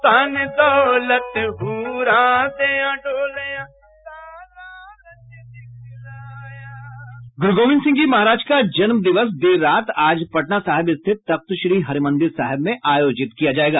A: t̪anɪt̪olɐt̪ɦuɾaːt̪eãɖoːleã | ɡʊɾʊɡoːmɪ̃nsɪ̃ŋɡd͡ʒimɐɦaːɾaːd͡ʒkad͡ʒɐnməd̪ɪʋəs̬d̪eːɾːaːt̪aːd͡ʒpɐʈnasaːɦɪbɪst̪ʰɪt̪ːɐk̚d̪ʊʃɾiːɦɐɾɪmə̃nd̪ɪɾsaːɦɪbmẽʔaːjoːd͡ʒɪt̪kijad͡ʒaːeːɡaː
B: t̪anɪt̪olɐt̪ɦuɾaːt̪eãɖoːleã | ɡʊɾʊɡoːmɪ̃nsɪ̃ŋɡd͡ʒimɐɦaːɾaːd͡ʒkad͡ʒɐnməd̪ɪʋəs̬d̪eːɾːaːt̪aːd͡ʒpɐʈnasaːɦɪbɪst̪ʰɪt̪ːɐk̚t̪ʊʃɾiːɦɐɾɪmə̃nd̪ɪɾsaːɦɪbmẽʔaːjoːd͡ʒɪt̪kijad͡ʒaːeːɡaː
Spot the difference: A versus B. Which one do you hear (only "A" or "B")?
B